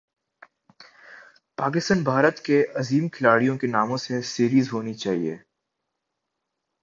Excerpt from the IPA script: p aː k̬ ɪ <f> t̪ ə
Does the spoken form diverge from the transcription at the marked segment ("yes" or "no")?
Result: yes